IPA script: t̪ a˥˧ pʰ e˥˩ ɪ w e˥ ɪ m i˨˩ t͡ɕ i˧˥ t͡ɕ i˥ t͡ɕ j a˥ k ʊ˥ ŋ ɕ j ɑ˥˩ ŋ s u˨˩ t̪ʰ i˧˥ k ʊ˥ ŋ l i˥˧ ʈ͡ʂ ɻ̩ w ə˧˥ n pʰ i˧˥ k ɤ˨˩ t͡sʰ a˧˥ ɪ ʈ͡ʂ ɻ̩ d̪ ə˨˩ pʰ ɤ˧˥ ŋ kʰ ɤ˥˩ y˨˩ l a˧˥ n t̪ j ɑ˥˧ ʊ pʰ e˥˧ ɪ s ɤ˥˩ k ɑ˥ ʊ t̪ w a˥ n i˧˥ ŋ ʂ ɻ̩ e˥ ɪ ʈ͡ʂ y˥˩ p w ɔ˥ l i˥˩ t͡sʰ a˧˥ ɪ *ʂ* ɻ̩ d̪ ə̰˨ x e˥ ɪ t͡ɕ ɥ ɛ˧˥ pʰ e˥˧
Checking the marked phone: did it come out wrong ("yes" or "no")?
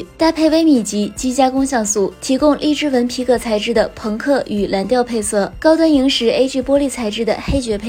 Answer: yes